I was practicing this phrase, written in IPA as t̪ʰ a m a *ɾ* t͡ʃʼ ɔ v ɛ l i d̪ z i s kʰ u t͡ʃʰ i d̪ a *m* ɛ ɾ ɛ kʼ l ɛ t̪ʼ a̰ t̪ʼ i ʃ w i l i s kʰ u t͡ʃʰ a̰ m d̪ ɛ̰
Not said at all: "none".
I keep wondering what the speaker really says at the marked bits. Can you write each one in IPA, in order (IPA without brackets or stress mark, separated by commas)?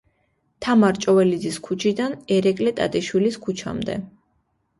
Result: ɾ, n